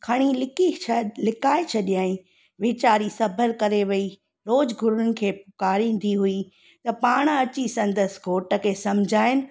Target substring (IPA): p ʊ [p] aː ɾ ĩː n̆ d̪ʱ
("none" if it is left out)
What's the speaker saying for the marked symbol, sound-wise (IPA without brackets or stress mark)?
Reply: k